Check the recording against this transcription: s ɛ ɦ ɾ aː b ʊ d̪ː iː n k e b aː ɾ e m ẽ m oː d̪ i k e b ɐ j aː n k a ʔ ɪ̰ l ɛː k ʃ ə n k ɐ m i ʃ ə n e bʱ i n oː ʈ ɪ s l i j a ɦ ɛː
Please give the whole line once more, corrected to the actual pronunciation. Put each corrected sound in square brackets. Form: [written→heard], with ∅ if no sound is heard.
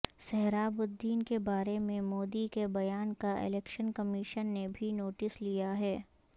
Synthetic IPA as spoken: s ɛ ɦ ɾ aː b ʊ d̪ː iː n k e b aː ɾ e m ẽ m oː d̪ i k e b ɐ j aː n k a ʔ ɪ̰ l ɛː k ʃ ə n k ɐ m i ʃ ə [n→nː] e bʱ i n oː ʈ ɪ s l i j a ɦ ɛː